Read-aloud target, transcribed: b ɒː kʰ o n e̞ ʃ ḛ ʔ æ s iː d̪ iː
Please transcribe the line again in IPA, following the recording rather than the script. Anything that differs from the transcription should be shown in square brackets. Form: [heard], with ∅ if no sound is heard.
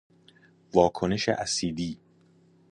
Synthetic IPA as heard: [v] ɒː kʰ o n e̞ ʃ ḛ ʔ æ s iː d̪ iː